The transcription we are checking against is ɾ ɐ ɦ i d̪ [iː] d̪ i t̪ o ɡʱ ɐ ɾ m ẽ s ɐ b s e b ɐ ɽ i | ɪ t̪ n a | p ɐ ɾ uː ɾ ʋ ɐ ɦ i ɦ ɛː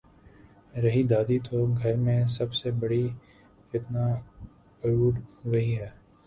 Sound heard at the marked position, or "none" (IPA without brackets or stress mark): aː